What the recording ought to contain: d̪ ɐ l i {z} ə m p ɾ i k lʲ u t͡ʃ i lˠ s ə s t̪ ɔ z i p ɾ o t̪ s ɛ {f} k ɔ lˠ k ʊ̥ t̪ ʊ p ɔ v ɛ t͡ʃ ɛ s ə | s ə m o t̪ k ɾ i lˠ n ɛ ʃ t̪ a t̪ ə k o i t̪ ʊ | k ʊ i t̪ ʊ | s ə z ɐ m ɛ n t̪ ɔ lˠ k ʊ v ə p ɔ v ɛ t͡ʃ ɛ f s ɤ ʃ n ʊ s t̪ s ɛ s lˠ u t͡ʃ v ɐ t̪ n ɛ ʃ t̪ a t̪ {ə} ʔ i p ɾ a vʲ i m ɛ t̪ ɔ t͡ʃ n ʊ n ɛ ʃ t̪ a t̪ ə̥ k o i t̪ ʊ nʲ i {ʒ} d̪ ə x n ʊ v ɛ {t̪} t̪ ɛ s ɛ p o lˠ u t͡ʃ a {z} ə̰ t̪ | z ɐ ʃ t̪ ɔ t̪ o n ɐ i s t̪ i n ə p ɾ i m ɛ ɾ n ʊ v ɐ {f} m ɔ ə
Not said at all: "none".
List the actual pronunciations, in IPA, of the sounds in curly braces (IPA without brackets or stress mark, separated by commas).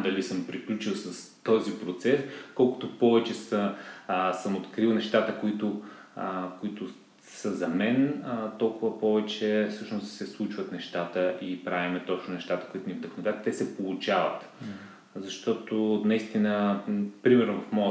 s, s, ə, v, t̪, v, f